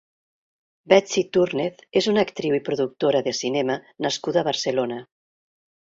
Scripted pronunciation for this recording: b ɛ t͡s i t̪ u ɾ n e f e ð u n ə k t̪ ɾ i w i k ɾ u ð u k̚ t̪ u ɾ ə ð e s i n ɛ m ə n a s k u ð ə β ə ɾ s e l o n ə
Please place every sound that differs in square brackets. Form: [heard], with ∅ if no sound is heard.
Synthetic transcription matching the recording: b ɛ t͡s i t̪ u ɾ n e [θ] e [z] u n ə k t̪ ɾ i w i [p] ɾ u ð u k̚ t̪ [o] ɾ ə ð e s i n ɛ m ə n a s k u ð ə β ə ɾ s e l o n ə